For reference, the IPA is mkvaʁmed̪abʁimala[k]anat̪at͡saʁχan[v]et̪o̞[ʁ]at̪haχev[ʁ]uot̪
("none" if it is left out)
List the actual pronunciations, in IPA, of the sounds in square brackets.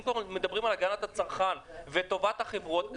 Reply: ɡ, v, v, ʁ

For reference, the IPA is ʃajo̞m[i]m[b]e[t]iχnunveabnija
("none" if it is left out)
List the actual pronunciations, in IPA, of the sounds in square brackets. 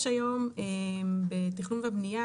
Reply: e, b, t

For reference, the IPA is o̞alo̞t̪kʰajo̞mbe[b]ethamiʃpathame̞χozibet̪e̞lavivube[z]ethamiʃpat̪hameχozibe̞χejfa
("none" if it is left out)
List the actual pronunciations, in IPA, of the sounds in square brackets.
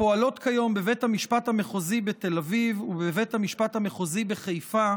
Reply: v, v

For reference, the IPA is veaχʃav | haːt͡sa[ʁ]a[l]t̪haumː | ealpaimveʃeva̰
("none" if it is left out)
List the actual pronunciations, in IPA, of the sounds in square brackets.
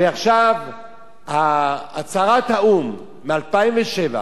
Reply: ʁ, none

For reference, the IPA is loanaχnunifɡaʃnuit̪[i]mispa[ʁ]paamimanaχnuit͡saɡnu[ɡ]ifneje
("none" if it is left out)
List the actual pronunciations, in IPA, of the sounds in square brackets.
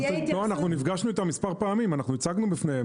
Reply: a, ʁ, b

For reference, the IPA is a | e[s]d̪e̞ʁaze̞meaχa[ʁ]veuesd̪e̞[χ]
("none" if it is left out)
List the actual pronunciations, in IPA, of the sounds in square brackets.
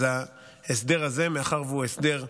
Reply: s, ʁ, ʁ

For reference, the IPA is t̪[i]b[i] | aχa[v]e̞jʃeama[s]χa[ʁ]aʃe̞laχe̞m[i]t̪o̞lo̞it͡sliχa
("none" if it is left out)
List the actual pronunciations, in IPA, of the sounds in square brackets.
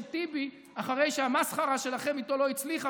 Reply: i, i, ʁ, s, ʁ, i

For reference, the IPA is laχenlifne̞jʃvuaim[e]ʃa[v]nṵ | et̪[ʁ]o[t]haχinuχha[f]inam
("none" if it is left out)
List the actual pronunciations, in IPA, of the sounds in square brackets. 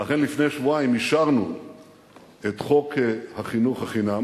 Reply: i, ʁ, χ, k, χ

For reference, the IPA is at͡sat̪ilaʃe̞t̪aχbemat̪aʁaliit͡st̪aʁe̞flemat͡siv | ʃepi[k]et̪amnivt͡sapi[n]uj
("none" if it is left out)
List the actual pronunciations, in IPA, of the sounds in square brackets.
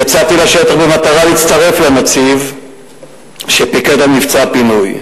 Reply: k, n

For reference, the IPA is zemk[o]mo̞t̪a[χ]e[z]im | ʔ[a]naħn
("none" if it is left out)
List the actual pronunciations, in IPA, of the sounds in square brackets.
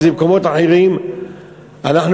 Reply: o, ħ, ʁ, a

